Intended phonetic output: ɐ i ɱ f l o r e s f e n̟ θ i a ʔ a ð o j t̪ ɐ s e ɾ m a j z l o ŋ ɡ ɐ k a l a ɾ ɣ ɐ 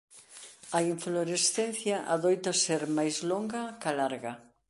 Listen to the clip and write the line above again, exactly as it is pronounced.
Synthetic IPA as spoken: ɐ i ɱ f l o ɾ e s θ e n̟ θ j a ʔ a ð o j t̪ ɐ s e ɾ m a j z l o ŋ ɡ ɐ k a l a ɾ ɣ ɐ